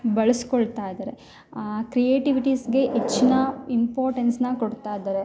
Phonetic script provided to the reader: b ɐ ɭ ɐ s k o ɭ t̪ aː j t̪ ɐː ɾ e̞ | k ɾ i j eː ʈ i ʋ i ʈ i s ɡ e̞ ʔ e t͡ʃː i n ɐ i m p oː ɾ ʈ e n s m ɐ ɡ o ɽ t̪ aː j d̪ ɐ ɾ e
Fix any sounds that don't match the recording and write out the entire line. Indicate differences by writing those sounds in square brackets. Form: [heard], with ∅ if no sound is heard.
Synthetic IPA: b ɐ ɭ ɐ s k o ɭ t̪ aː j [d̪] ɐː ɾ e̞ | k ɾ i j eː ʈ i ʋ i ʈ i s ɡ e̞ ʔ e t͡ʃː i n ɐ i m p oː ɾ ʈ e n s [n] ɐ [k] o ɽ t̪ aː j d̪ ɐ ɾ e